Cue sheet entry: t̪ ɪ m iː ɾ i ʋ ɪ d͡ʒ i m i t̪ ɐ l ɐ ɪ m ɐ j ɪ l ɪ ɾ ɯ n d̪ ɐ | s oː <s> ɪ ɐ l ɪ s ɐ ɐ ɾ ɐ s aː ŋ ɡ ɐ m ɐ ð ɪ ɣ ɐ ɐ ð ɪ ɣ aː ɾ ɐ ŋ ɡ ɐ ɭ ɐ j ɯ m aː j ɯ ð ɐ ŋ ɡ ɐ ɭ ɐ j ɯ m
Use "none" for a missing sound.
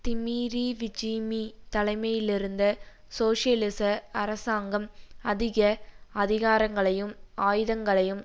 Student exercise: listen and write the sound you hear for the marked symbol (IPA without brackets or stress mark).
ʂ